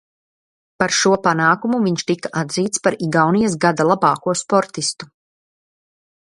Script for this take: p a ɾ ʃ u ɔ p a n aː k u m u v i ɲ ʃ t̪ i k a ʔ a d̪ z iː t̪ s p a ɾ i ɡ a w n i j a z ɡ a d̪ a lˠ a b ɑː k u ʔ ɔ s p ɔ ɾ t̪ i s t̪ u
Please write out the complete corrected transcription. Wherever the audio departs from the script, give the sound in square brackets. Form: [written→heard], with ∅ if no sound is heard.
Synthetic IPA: p a ɾ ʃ u ɔ p a n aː k u m u v i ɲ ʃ t̪ i k a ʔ a d̪ z iː t̪ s p a ɾ i ɡ a w n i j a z ɡ a d̪ a lˠ a b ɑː k u [ʔ→∅] ɔ s p ɔ ɾ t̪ i s t̪ u